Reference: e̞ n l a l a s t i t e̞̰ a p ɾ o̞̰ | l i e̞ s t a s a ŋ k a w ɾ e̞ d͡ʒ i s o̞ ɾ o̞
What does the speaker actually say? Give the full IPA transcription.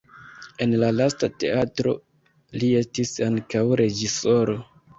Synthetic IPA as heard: e̞ n l a l a s t a t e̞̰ a t ɾ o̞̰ | l i e̞ s t i s a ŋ k a w ɾ e̞ d͡ʒ i s o̞ ɾ o̞